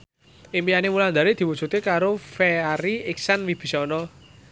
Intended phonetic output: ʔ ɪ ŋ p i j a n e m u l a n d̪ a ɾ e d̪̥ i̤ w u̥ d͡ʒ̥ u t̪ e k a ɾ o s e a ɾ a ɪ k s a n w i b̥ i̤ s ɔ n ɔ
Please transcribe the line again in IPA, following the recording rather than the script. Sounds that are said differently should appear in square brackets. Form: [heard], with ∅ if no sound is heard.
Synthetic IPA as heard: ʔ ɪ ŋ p i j a n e m u l a n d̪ a ɾ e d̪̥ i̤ w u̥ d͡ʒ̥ u t̪ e k a ɾ o [f] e a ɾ [i] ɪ k s a n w i b̥ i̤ s ɔ n ɔ